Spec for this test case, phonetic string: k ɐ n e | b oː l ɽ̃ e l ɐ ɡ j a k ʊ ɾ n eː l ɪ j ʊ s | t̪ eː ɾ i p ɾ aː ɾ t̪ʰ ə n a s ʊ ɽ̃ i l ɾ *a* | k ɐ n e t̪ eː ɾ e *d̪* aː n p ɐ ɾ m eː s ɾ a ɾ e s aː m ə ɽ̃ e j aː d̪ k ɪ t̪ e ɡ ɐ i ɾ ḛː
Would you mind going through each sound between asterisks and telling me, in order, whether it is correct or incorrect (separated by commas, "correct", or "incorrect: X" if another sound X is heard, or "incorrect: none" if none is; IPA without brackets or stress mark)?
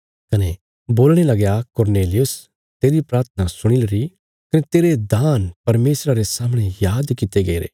incorrect: i, correct